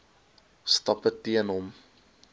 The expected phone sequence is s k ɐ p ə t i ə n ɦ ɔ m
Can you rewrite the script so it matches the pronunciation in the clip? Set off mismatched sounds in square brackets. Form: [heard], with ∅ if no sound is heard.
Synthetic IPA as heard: s [t] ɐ p ə t i ə n ɦ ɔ m